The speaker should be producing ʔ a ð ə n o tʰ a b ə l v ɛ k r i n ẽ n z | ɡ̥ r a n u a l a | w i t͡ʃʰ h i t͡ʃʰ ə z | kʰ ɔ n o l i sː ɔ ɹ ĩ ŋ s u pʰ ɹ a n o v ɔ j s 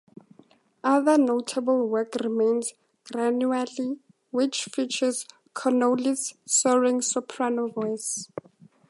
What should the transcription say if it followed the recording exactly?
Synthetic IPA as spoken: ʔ a ð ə n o tʰ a b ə l w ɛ k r i m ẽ n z | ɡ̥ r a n u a l i | w i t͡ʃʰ f i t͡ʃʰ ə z | kʰ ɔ n o l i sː ɔ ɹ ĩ ŋ s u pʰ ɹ a n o v ɔ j s